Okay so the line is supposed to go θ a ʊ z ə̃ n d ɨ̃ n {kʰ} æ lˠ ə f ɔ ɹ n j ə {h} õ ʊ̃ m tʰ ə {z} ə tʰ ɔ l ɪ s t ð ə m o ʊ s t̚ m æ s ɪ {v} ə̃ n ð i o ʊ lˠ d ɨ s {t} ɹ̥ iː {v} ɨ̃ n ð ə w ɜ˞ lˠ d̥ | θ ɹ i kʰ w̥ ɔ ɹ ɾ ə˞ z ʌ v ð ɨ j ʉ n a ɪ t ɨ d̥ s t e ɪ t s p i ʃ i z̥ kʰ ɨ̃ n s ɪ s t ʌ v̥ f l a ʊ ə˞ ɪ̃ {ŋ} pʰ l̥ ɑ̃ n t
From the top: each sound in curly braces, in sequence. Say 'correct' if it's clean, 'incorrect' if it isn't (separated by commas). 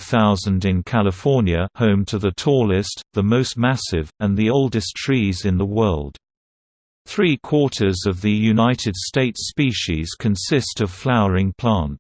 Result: correct, correct, incorrect, correct, incorrect, incorrect, correct